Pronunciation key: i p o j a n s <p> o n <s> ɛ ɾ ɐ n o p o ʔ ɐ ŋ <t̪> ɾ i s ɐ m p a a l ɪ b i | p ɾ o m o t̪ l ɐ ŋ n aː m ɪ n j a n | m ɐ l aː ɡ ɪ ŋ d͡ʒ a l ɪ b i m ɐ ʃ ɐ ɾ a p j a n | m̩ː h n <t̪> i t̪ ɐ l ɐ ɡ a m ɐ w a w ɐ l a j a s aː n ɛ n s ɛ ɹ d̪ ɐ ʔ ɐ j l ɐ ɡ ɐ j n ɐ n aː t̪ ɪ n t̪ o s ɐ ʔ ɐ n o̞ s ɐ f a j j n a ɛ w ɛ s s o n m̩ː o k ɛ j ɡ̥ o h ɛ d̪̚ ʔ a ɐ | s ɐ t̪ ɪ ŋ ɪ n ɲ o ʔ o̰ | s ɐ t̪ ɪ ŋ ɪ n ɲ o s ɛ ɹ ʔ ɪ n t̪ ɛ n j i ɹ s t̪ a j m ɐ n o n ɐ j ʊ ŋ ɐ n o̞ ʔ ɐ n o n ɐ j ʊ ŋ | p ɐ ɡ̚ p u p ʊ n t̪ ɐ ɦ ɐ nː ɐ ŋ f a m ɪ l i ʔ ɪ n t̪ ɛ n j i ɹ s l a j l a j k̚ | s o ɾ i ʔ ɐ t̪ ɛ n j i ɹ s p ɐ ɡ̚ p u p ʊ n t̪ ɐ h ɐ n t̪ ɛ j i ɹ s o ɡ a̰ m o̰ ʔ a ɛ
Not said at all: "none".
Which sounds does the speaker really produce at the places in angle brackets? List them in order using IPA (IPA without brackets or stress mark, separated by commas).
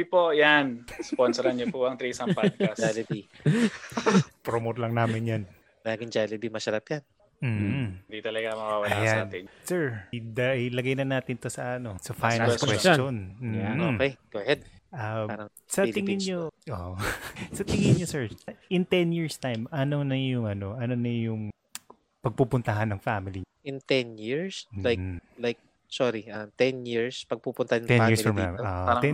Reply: p, s, t̪, d̪